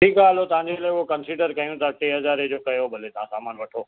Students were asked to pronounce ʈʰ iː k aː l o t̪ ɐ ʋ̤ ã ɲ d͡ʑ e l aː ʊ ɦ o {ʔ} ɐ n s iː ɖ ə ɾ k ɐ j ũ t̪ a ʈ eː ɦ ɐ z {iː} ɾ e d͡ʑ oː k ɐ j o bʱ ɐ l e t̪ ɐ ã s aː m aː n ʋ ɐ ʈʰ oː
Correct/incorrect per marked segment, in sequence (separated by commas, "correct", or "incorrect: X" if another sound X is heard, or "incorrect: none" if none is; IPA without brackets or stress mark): incorrect: k, incorrect: aː